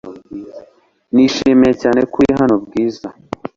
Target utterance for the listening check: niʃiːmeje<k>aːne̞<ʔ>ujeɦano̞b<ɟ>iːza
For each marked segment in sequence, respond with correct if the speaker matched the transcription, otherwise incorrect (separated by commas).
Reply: incorrect, incorrect, incorrect